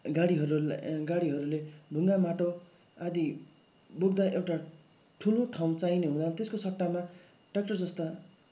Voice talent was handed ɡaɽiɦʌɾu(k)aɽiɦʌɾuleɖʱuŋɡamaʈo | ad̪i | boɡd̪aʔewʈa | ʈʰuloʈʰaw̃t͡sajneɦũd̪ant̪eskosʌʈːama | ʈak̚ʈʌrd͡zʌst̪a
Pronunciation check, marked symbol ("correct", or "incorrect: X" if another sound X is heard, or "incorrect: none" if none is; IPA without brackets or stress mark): incorrect: ɡ